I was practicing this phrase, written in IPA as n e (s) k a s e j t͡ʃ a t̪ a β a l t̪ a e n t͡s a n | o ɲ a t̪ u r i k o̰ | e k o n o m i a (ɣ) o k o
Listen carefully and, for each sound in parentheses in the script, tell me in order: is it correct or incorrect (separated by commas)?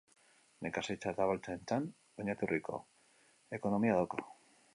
incorrect, incorrect